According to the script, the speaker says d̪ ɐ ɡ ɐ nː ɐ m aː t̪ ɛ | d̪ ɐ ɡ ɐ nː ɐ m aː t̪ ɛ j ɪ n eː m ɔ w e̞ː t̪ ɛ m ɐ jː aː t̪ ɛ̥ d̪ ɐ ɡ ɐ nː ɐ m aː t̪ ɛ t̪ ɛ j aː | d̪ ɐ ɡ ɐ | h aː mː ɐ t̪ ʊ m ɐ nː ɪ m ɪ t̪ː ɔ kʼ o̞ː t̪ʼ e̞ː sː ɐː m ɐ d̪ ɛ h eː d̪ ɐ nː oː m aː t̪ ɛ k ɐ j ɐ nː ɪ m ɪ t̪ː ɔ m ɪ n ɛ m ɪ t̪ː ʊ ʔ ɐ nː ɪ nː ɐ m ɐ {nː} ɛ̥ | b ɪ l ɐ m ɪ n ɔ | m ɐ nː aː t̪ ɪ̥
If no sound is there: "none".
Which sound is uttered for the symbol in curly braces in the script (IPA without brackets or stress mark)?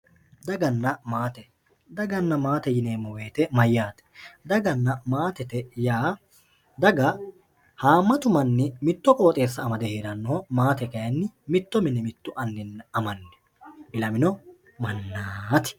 nː